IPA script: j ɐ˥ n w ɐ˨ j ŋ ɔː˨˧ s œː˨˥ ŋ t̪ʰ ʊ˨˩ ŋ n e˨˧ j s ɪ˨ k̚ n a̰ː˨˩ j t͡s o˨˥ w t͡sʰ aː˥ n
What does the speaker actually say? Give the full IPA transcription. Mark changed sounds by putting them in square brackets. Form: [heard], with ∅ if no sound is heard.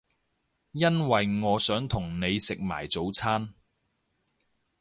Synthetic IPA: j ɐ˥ n w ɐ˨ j ŋ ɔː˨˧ s œː˨˥ ŋ t̪ʰ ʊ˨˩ ŋ n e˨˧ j s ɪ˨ k̚ [m] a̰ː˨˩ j t͡s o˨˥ w t͡sʰ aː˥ n